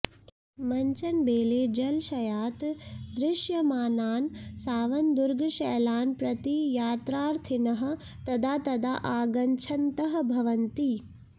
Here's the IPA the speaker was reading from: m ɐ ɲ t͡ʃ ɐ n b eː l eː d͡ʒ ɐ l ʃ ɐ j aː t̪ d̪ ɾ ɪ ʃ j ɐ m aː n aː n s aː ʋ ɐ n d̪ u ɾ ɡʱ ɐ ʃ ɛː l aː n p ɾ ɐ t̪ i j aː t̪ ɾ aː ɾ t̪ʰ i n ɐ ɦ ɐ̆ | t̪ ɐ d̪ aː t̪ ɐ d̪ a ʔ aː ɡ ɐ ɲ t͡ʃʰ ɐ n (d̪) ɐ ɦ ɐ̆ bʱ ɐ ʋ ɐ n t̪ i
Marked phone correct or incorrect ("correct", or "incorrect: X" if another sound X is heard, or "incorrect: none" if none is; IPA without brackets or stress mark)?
incorrect: t̪